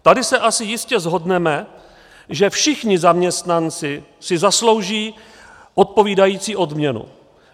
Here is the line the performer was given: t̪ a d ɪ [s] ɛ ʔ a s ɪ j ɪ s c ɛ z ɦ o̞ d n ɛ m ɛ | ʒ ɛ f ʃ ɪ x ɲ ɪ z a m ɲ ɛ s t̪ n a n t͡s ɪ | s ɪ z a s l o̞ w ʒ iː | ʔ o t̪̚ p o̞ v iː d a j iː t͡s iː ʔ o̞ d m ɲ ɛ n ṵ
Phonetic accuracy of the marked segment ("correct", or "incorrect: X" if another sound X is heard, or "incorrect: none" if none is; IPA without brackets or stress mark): correct